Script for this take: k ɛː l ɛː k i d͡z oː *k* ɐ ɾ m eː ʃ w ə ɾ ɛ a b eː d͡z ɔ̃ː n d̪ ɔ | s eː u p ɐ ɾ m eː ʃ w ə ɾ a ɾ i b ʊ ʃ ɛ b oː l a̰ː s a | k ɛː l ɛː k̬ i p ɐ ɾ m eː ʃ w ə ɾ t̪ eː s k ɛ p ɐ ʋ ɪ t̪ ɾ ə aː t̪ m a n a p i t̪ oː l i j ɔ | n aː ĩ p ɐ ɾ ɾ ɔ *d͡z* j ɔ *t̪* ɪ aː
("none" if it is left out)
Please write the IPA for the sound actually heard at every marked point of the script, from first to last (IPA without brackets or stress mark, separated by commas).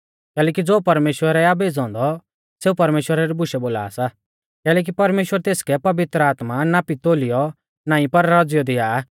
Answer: p, d͡z, d̪